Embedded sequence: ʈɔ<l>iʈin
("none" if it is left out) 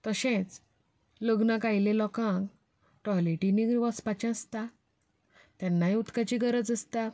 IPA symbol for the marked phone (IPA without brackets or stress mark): l